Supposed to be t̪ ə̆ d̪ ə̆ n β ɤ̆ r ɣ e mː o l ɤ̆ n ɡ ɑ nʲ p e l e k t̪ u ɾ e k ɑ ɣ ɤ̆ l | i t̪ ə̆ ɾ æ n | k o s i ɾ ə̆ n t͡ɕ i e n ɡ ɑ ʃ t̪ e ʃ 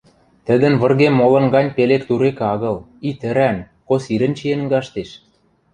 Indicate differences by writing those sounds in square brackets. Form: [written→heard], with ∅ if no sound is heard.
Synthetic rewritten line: t̪ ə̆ d̪ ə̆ n β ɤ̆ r ɣ e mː o l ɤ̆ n ɡ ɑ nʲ p e l e k t̪ u ɾ e k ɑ ɣ ɤ̆ l | i t̪ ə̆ ɾ æ n | k o s i ɾ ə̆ n t͡ɕ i e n ɡ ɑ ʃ t̪ e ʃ